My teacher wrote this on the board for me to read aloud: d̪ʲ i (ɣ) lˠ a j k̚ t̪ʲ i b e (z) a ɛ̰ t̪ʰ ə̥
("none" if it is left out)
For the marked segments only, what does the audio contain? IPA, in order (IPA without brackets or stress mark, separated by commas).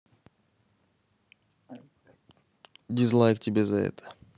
z, z